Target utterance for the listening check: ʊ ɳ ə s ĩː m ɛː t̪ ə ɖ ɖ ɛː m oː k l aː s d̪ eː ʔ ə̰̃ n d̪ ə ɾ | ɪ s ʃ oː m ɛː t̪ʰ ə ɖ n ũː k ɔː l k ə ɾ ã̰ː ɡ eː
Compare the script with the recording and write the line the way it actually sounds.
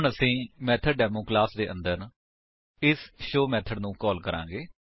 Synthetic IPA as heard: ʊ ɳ ə s ĩː m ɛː t̪ʰ ə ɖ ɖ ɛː m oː k l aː s d̪ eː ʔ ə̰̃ n d̪ ə ɾ | ɪ s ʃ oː m ɛː t̪ʰ ə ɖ n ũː k ɔː l k ə ɾ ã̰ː ɡ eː